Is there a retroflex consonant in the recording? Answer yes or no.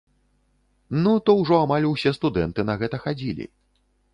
yes